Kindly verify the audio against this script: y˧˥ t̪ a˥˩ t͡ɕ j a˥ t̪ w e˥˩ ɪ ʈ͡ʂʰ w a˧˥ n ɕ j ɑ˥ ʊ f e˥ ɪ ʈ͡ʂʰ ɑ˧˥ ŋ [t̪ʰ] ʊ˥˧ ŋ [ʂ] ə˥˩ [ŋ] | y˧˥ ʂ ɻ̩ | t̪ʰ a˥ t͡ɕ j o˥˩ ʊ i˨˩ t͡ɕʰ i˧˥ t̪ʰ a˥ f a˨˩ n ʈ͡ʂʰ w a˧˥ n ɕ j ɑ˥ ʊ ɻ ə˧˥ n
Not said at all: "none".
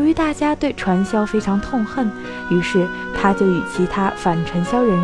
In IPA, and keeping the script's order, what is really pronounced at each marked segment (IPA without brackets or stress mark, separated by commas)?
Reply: t̪ʰ, x, n